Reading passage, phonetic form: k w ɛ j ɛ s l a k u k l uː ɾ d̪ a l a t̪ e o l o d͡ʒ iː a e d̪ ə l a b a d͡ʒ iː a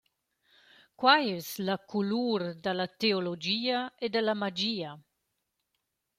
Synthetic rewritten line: k w a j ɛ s l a k u l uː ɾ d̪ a l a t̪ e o l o d͡ʒ iː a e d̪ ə l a m a d͡ʒ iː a

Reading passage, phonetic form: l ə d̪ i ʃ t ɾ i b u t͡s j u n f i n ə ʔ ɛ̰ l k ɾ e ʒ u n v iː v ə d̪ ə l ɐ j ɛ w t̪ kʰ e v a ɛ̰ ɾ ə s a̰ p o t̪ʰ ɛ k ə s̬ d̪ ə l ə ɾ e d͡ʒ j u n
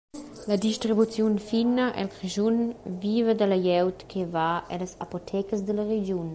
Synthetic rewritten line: l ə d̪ i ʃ t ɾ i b u t͡s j u n f i n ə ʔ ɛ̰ l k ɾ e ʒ u n v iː v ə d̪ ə l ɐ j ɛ w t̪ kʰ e v a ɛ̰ l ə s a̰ p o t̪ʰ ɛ k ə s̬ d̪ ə l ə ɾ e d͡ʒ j u n

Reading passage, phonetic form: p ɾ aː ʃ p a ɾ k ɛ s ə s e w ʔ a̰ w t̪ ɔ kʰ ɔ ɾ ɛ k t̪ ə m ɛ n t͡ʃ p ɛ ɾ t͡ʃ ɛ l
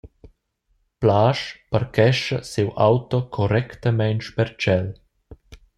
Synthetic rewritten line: p l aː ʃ p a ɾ k ɛ ʃ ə s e w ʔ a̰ w t̪ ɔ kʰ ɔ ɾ ɛ k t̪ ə m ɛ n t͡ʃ p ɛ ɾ t͡ʃ ɛ l

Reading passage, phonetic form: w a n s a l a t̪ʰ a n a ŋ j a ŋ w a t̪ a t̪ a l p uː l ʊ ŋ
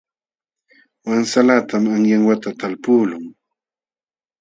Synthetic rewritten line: w a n s a l a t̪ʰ a m a ŋ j a ŋ w a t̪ a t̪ a l p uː l ʊ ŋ

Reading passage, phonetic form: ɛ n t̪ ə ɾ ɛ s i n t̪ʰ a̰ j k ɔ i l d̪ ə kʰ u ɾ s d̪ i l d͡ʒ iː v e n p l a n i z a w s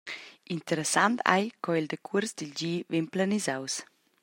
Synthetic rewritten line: i n t̪ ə ɾ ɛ s a n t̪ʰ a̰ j k ɔ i l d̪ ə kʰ u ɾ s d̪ i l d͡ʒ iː v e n p l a n i z a w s

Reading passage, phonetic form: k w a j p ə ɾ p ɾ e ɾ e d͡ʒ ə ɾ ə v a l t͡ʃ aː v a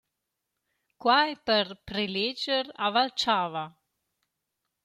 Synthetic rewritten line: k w a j p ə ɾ p ɾ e l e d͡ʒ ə ɾ a v a l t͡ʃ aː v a

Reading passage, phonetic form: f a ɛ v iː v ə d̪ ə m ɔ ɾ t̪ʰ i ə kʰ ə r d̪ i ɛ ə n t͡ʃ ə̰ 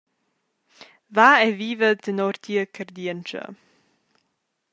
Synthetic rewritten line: v a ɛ v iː v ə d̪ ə n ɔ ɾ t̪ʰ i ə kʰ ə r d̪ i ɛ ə n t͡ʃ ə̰

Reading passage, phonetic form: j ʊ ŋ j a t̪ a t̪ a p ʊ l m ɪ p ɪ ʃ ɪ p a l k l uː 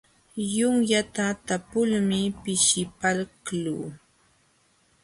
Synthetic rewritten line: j ʊ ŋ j a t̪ a t̪ a p ʊ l m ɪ p ɪ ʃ ɪ p a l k l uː

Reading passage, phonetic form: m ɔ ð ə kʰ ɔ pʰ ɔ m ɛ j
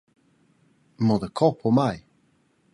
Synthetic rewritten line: m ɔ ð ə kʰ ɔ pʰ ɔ m a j

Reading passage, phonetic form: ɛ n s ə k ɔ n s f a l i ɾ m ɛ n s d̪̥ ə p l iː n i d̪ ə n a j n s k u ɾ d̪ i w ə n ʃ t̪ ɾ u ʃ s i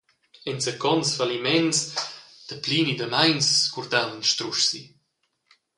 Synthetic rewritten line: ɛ n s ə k ɔ n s f a l i m ɛ n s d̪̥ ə p l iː n i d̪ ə m a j n s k u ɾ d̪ a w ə n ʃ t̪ ɾ u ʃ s i

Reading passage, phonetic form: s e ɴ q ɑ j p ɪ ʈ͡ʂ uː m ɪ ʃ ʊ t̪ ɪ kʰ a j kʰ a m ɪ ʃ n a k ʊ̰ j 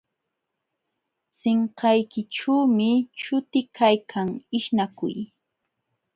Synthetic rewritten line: s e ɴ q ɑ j k ɪ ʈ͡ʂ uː m ɪ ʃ ʊ t̪ ɪ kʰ a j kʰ a ŋ ɪ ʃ n a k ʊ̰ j

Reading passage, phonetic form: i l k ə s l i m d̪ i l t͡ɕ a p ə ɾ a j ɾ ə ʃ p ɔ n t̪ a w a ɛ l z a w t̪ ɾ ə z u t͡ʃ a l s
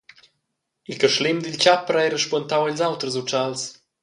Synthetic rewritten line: i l k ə ʃ l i m d̪ i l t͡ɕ a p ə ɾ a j ɾ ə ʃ p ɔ n t̪ a w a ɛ l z a w t̪ ɾ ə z u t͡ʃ a l s

